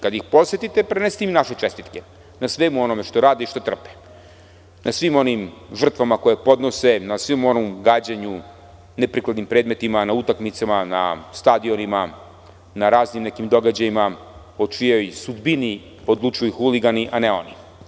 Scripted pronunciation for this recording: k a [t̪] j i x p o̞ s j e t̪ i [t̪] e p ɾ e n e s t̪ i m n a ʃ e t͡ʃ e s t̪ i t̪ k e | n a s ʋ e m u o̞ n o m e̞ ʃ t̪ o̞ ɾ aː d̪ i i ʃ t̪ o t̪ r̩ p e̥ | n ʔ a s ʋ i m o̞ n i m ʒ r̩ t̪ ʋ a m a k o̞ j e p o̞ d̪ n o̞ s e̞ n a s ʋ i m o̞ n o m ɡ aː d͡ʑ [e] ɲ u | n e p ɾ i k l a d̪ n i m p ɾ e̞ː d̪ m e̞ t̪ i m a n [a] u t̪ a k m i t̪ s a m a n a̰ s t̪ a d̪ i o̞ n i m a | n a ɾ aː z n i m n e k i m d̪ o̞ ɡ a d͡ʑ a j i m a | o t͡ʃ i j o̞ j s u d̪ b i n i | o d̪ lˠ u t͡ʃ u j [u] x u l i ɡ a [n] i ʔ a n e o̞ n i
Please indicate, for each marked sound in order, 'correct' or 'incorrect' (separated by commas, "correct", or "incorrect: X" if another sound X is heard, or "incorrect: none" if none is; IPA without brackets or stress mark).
incorrect: d̪, correct, incorrect: a, correct, correct, correct